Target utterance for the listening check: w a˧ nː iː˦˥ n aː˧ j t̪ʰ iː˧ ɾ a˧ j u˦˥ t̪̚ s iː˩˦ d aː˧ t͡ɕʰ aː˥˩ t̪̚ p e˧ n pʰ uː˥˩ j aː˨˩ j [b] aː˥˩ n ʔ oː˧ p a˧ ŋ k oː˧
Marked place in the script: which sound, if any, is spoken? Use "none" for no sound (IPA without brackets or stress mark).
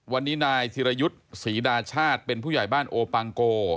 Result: b